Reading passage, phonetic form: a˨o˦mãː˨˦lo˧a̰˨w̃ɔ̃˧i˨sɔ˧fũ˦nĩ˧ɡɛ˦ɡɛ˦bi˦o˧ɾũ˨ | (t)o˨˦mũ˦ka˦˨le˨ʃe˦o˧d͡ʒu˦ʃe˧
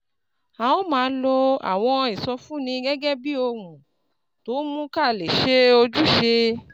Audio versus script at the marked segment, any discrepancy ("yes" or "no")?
no